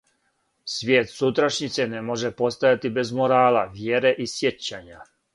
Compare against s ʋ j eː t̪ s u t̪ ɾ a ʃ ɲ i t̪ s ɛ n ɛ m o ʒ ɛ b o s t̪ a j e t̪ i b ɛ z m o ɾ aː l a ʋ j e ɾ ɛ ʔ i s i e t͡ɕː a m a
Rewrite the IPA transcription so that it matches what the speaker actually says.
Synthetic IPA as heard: s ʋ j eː t̪ s u t̪ ɾ a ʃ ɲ i t̪ s ɛ n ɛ m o ʒ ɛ p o s t̪ a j a t̪ i b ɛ z m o ɾ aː l a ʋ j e ɾ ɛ ʔ i s j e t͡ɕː a ɲ a